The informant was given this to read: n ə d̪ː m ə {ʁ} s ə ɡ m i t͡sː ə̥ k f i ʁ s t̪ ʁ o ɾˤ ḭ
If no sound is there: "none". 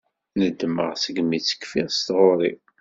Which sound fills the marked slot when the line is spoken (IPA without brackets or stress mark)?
ʁ